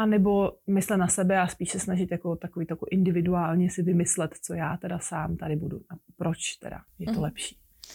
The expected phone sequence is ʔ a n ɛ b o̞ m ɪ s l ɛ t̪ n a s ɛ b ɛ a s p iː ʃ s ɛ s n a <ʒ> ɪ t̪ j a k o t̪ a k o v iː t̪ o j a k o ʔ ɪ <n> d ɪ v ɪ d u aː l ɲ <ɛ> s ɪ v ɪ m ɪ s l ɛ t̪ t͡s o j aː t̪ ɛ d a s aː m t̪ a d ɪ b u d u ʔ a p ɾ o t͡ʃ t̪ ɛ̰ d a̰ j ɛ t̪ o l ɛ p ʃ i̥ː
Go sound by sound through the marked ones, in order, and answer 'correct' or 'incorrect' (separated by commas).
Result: correct, correct, correct